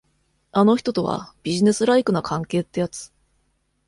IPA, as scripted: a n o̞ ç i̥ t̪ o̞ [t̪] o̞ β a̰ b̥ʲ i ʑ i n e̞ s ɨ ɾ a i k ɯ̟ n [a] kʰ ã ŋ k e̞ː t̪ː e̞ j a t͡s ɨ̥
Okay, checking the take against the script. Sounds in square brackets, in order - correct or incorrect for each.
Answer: correct, correct

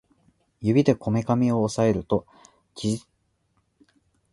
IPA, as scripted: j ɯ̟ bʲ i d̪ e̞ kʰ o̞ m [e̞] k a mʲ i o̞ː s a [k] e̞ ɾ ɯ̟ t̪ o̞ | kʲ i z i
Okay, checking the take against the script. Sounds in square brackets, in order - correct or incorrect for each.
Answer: correct, incorrect: none

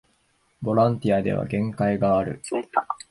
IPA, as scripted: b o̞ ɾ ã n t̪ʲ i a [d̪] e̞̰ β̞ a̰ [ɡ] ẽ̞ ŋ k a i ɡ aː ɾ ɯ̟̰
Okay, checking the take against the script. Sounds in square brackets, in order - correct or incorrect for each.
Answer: correct, correct

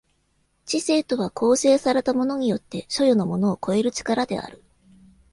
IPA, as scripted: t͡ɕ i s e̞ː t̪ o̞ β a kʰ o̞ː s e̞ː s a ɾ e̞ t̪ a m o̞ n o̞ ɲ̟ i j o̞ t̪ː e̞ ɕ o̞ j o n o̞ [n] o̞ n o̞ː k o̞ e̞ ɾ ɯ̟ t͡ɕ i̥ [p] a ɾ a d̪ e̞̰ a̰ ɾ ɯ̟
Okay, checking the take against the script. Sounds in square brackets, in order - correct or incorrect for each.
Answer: incorrect: m, incorrect: k

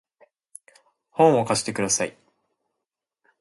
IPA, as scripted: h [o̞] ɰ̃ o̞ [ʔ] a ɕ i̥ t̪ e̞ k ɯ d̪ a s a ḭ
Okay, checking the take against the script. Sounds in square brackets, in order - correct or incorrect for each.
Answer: incorrect: õ̞, incorrect: k

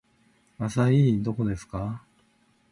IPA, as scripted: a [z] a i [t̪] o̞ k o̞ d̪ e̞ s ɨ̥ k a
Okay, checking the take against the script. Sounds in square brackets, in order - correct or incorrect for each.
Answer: incorrect: s, incorrect: d̪

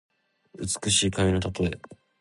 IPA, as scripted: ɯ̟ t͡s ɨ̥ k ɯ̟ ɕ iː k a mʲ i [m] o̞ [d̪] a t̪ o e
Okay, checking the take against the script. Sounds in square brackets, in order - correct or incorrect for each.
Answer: incorrect: n, incorrect: t̪

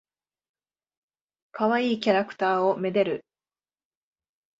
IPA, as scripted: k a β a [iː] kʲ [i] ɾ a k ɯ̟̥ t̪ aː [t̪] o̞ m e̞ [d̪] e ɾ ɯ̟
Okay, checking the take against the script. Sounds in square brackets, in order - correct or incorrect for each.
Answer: correct, incorrect: a, incorrect: none, correct

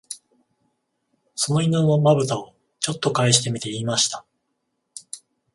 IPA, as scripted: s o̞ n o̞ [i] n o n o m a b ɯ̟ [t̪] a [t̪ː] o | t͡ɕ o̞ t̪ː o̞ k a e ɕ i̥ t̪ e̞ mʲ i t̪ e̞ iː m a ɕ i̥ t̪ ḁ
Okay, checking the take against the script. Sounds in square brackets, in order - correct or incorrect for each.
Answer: correct, correct, incorrect: none

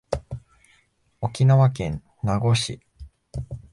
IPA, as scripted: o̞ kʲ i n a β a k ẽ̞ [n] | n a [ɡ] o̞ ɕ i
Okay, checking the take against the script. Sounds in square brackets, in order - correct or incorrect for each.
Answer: correct, correct

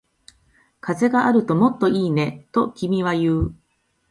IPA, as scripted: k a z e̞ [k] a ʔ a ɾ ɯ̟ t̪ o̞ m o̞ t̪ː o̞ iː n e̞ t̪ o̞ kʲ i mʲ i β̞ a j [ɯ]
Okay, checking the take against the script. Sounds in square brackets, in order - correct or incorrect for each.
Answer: incorrect: ɡ, incorrect: ɯː

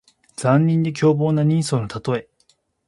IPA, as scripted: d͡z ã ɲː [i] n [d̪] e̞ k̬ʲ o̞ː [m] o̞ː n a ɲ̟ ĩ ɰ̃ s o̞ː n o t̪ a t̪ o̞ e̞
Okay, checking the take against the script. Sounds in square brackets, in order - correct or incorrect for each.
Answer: incorrect: ĩ, correct, incorrect: b

